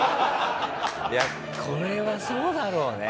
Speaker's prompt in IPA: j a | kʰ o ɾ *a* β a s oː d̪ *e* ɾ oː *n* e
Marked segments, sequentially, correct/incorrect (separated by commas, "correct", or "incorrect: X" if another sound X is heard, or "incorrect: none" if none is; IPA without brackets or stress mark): incorrect: e, incorrect: a, correct